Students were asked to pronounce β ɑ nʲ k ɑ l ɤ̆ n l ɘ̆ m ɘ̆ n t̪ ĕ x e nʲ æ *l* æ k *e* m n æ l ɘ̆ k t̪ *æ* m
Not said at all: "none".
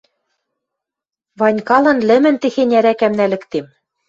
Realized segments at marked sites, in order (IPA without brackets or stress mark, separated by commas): ɾ, æ, e